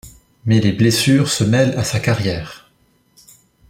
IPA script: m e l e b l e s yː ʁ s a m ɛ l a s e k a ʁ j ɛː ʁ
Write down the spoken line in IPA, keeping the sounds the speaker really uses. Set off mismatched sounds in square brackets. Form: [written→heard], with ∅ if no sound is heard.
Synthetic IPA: m [e→ɛ] l e b l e s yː ʁ s [a→ə] m ɛ l a s [e→a] k a ʁ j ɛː ʁ